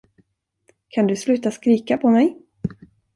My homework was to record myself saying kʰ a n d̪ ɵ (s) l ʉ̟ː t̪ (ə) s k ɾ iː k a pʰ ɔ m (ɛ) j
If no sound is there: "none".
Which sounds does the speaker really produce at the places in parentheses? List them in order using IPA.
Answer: s, a, ɛ

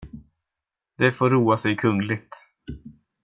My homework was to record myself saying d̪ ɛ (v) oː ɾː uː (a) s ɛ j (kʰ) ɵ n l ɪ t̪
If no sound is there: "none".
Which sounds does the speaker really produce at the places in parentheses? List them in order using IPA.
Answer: f, a, kʰ

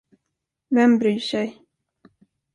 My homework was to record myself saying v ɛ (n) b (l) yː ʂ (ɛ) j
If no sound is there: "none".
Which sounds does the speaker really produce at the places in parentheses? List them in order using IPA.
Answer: m, ɾ, ɛ

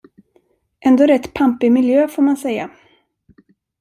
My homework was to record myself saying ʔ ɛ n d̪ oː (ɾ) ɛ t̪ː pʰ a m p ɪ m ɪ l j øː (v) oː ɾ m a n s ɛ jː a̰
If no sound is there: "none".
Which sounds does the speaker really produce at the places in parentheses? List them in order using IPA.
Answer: ɾ, f

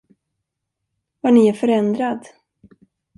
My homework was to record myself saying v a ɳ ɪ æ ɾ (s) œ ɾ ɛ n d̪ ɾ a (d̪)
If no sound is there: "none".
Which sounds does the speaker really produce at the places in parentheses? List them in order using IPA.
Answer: f, d̪

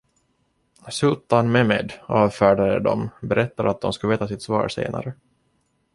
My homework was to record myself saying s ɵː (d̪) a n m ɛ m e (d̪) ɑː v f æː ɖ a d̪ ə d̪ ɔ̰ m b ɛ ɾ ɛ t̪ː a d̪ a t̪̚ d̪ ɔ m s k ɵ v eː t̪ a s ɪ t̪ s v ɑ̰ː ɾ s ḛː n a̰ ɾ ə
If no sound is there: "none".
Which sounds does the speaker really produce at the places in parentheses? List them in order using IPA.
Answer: t̪, d̪

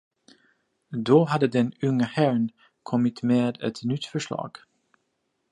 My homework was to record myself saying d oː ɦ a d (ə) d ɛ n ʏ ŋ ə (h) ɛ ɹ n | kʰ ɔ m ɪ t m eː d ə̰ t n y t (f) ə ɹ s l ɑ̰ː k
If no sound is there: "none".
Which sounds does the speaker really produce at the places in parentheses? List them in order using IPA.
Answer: ə, h, f

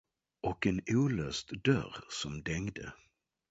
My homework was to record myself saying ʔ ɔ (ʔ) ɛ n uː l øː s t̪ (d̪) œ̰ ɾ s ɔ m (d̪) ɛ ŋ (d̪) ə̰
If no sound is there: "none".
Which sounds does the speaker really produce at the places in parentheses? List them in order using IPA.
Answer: k, d̪, d̪, d̪

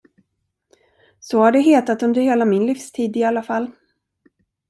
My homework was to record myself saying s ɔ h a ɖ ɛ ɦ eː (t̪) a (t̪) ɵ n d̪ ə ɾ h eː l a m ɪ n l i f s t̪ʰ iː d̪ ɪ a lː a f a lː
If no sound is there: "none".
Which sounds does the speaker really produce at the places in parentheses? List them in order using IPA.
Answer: t̪, t̪

